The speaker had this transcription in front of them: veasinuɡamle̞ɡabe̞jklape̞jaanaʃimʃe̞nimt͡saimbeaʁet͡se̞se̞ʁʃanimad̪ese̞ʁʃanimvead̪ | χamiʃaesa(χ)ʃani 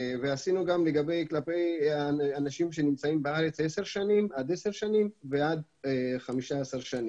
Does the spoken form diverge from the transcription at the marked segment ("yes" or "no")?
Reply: yes